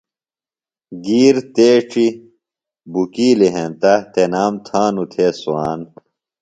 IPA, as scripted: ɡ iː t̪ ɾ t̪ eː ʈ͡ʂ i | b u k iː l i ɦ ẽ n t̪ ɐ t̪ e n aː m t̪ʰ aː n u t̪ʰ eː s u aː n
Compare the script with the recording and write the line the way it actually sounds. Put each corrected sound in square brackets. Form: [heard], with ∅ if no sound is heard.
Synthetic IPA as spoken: ɡ iː [∅] ɾ t̪ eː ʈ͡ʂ i | b u k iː l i ɦ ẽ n t̪ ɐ t̪ e n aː m t̪ʰ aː n u t̪ʰ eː s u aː n